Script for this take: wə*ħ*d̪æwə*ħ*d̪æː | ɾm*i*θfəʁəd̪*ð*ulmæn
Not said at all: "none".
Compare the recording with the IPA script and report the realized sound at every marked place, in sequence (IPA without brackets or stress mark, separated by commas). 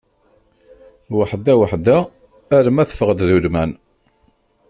ħ, ħ, æ, ð